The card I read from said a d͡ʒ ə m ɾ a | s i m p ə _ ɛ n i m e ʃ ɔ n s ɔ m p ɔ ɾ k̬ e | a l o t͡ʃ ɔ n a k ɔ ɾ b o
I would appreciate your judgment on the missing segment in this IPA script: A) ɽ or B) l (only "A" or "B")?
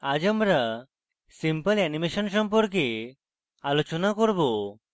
B